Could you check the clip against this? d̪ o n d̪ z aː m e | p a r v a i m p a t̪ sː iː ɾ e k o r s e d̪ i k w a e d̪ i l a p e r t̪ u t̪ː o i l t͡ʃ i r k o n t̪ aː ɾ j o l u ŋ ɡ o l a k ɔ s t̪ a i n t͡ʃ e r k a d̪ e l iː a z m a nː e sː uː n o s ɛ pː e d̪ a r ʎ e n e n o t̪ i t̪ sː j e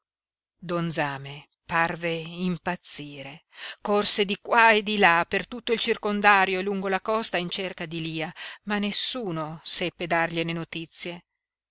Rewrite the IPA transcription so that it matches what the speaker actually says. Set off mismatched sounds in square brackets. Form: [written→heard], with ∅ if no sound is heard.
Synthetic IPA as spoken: d̪ o n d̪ z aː m e | p a r v [a→e] i m p a t̪ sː iː ɾ e k o r s e d̪ i k w a e d̪ i l a p e r t̪ u t̪ː o i l t͡ʃ i r k o n [t̪→d̪] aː ɾ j o l u ŋ ɡ o l a k ɔ s t̪ a i n t͡ʃ e r k a d̪ [e→i] l iː a [z→∅] m a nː e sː uː n o s ɛ pː e d̪ a r ʎ e n e n o t̪ i t̪ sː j e

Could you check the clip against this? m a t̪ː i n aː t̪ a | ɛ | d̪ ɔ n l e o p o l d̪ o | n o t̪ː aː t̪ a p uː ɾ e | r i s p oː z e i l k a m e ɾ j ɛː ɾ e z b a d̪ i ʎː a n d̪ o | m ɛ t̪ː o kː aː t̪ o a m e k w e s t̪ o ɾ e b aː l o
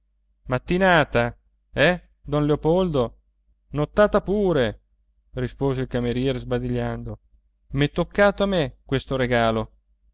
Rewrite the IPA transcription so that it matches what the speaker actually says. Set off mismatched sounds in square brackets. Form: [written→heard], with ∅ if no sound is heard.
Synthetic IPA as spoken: m a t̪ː i n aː t̪ a | ɛ | d̪ ɔ n l e o p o l d̪ o | n o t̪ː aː t̪ a p uː ɾ e | r i s p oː z e i l k a m e ɾ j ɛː ɾ e z b a d̪ i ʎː a n d̪ o | m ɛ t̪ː o kː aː t̪ o a m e k w e s t̪ o ɾ e [b→ɡ] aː l o

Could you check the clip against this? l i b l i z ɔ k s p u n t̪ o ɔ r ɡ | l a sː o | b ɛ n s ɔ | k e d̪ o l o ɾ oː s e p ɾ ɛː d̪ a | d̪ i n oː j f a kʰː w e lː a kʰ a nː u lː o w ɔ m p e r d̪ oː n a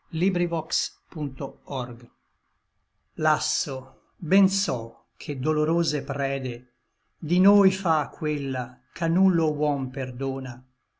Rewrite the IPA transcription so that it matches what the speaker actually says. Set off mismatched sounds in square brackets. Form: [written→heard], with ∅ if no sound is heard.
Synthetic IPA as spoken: l i b [l→ɾ] i [z→v] ɔ k s p u n t̪ o ɔ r ɡ | l a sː o | b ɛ n s ɔ | [k→kʰ] e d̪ o l o ɾ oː [s→z] e p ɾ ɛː d̪ [a→e] | d̪ i n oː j f a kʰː w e lː a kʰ a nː u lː o w ɔ m p e r d̪ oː n a

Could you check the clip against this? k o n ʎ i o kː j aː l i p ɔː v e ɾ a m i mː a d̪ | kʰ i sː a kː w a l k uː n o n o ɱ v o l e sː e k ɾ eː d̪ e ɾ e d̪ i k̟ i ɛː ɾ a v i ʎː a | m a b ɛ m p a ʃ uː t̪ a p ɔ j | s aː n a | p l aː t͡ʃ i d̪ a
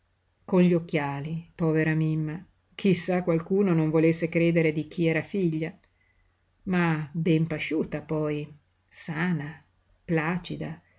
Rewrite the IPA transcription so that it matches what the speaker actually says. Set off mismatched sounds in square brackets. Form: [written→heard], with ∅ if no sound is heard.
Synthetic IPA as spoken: k o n ʎ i o kː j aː l i p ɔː v e ɾ a m i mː a [d̪→∅] | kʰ i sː a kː w a l k uː n o n o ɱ v o l e sː e k ɾ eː d̪ e ɾ e d̪ i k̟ i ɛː ɾ a [v→f] i ʎː a | m a b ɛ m p a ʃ uː t̪ a p ɔ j | s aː n a | p l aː t͡ʃ i d̪ a

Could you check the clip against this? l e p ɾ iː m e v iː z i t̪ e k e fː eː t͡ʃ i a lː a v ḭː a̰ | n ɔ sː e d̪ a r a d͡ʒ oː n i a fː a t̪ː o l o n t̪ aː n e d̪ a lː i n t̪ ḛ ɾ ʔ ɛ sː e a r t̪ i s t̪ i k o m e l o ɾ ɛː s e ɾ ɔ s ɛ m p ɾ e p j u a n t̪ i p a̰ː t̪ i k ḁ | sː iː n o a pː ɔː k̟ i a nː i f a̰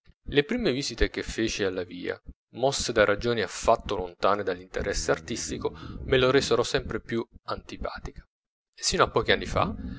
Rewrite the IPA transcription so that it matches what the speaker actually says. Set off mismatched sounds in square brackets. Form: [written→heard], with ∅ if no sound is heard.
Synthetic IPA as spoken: l e p ɾ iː m e v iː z i t̪ e k e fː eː t͡ʃ i a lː a v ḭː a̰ | [n→m] ɔ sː e d̪ a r a d͡ʒ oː n i a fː a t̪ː o l o n t̪ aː n e d̪ a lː i n t̪ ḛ ɾ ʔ ɛ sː e a r t̪ i s t̪ i k o m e l o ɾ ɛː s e ɾ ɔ s ɛ m p ɾ e p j u a n t̪ i p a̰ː t̪ i k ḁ | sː iː n o a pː ɔː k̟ i a nː i f a̰

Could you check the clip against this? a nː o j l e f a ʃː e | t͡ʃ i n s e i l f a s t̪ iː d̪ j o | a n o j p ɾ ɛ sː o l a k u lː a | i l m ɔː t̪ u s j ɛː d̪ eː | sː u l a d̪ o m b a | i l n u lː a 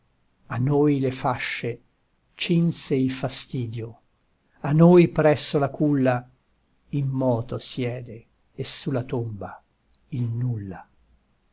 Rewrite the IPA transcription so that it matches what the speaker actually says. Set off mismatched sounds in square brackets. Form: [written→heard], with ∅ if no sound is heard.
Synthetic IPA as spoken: a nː o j l e f a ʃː e | t͡ʃ i n s e i l f a s t̪ iː d̪ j o | a n o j p ɾ ɛ sː o l a k u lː a | i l m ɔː t̪ [u→o] s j ɛː d̪ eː | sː u l a [d̪→t̪] o m b a | i l n u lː a

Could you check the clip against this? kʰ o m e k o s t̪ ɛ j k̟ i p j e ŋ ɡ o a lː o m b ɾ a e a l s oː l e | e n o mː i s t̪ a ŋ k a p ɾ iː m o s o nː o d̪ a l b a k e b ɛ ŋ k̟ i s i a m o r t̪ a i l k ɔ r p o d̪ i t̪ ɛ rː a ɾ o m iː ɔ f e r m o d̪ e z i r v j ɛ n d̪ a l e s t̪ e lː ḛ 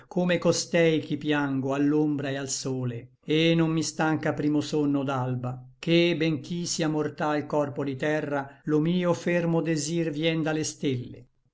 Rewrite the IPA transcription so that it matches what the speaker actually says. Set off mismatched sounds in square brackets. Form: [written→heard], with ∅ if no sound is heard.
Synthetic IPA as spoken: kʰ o m e k o s t̪ ɛ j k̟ i p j [e→a] ŋ ɡ o a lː o m b ɾ a e a l s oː l e | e n o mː i s t̪ a ŋ k a p ɾ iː m o s o nː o d̪ a l b a k e b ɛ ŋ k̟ i s i a m o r t̪ a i l k ɔ r p o d̪ i t̪ ɛ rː a [ɾ→l] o m iː [ɔ→o] f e r m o d̪ e z i r v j ɛ n d̪ a l e s t̪ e lː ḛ

